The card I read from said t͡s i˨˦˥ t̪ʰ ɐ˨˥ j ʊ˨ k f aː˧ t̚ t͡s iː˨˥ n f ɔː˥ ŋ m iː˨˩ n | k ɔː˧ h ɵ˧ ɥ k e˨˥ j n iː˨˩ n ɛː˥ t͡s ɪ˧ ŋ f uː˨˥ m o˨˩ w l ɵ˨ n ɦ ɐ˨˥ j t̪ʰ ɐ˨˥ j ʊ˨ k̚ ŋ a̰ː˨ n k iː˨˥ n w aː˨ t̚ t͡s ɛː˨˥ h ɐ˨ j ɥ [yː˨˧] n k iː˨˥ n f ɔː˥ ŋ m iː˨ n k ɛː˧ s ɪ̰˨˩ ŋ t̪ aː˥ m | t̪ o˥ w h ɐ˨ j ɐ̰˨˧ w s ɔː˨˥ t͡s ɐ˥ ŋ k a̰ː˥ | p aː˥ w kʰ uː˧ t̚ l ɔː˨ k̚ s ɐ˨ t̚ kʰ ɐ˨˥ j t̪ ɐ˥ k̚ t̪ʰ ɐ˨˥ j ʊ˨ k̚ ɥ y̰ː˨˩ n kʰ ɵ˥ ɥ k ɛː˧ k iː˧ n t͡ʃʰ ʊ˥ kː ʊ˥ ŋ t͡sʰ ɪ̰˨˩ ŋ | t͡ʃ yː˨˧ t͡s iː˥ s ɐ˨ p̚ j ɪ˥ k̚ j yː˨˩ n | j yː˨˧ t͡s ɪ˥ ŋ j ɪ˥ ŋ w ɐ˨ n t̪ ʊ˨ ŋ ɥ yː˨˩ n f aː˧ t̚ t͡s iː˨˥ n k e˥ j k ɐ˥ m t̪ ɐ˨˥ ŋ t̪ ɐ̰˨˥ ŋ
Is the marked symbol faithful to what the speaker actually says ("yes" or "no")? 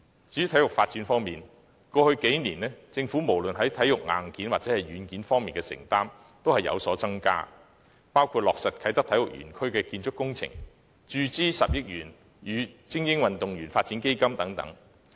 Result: yes